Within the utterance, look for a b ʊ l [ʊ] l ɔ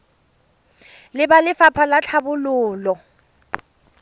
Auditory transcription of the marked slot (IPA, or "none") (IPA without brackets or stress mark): ʊː